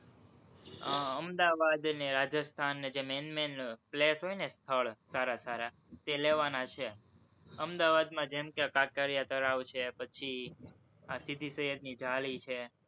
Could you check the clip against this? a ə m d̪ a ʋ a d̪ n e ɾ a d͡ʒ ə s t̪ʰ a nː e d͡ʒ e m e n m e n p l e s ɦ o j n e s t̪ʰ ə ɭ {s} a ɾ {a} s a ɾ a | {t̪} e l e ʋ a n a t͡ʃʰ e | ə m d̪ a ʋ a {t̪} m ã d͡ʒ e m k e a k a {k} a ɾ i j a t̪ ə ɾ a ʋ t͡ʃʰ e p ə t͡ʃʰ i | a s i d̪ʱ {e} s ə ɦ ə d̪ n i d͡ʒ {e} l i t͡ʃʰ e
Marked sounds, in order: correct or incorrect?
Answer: correct, correct, correct, incorrect, correct, incorrect, incorrect

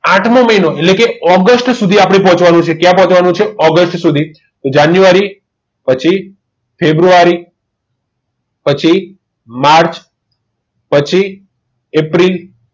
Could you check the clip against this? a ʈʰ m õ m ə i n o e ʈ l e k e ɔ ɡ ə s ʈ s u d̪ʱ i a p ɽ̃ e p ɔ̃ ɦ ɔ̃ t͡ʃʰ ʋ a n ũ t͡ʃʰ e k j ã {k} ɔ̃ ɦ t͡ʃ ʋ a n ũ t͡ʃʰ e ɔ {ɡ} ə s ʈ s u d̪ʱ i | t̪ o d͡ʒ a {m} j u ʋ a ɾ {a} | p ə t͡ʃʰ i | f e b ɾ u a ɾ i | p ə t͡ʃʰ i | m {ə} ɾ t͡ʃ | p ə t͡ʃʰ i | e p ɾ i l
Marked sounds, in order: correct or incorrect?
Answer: incorrect, correct, incorrect, incorrect, incorrect

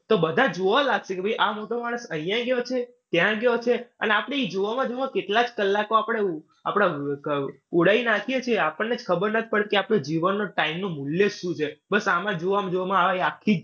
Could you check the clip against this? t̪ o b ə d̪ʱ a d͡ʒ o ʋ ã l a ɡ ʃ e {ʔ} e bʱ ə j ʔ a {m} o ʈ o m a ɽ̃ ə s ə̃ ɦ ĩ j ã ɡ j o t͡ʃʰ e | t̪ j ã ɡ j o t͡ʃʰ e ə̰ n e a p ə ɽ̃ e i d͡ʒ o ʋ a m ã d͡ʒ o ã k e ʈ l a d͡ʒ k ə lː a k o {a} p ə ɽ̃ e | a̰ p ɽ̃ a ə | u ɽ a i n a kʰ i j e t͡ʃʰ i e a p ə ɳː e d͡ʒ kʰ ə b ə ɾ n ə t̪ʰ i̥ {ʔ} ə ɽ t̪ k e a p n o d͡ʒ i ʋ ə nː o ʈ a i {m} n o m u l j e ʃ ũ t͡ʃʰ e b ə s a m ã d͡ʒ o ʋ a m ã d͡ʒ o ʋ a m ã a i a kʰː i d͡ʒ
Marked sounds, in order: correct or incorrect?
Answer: incorrect, correct, correct, incorrect, correct

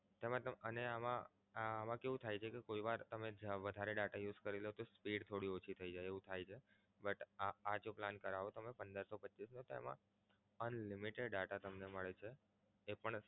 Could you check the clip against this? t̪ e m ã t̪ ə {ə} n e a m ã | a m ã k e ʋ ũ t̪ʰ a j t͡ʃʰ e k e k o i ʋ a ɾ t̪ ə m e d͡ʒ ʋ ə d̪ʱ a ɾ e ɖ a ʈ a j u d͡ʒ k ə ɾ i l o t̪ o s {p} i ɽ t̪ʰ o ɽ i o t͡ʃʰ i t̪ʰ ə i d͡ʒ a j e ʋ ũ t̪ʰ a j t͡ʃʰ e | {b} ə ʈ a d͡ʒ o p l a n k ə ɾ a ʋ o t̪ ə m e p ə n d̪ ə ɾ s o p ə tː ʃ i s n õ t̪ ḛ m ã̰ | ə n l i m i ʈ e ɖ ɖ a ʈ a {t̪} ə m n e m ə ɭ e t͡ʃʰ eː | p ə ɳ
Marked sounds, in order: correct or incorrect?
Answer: correct, correct, correct, correct

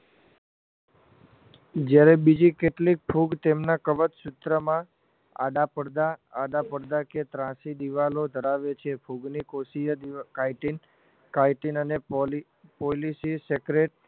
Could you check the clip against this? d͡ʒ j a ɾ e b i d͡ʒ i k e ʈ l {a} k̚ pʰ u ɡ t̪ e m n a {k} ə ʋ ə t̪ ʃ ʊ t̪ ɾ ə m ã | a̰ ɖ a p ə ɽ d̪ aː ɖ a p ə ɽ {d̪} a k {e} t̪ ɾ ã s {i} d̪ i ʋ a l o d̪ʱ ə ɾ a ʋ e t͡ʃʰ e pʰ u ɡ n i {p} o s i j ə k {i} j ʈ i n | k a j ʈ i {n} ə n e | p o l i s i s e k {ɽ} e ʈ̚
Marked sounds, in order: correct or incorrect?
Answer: incorrect, correct, correct, correct, correct, incorrect, incorrect, correct, incorrect

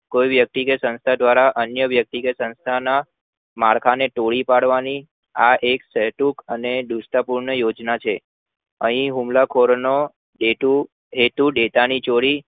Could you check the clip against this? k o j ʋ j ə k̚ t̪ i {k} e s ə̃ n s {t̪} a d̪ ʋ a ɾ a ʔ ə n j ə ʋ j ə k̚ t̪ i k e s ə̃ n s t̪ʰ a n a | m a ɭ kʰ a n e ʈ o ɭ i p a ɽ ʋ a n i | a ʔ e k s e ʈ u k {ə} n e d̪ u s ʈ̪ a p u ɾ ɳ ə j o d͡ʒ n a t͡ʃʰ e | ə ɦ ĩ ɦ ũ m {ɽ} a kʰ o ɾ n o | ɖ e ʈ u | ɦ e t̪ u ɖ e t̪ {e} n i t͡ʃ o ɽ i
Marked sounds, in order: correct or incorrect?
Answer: correct, incorrect, correct, incorrect, incorrect

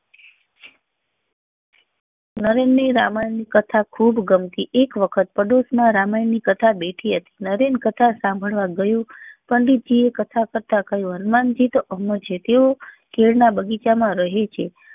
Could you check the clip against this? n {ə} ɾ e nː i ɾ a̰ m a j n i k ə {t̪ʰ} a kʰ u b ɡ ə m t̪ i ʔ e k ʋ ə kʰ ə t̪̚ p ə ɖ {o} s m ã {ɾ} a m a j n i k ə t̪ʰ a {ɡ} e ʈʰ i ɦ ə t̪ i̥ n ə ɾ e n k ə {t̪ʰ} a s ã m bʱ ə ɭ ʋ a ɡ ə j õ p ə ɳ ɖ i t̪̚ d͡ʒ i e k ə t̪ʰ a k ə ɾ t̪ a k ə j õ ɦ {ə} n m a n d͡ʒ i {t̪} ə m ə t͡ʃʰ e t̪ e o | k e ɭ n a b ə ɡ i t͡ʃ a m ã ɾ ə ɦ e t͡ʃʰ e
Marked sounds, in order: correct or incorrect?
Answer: correct, correct, correct, correct, incorrect, correct, correct, correct

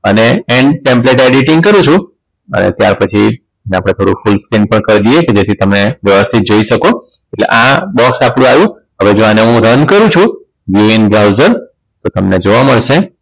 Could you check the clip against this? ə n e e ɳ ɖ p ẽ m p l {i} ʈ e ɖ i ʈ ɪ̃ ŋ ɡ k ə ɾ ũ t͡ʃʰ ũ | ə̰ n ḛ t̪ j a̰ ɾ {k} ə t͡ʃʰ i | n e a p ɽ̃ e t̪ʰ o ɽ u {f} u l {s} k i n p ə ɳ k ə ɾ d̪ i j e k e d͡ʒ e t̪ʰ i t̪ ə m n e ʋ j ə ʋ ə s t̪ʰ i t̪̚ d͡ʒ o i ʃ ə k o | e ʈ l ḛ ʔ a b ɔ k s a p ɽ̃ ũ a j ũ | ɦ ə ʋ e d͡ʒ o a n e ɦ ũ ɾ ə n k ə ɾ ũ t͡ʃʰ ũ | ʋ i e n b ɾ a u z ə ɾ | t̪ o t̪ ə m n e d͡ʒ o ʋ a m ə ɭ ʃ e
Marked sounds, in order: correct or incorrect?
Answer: incorrect, incorrect, correct, correct

